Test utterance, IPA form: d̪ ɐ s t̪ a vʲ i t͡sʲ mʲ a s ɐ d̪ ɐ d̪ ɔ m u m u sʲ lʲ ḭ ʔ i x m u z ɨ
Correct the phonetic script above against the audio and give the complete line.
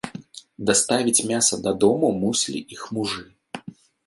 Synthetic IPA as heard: d̪ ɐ s t̪ a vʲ i t͡sʲ mʲ a s ɐ d̪ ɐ d̪ ɔ m u m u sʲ lʲ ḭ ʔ i x m u ʐ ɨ